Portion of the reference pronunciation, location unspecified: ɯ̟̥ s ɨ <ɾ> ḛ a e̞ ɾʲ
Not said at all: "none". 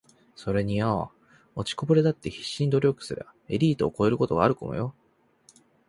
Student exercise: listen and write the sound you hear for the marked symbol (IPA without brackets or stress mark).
ɾ